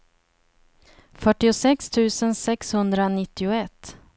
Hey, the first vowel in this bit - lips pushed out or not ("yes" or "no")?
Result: yes